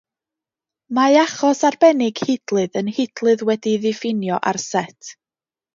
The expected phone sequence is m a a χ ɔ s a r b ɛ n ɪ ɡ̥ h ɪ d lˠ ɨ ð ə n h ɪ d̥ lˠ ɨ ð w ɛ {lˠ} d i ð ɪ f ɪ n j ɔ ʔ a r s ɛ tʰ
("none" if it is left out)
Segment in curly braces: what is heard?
none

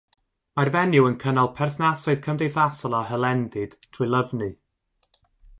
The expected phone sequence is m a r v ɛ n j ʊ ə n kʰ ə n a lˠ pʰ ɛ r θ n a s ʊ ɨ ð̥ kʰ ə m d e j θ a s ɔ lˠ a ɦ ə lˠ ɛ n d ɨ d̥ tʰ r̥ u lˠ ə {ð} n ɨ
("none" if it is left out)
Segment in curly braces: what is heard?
v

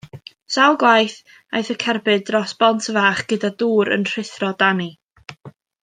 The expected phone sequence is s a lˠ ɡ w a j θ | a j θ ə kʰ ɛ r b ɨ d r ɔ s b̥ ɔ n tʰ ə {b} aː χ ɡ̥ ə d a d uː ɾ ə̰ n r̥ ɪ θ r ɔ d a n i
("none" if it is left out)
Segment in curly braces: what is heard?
v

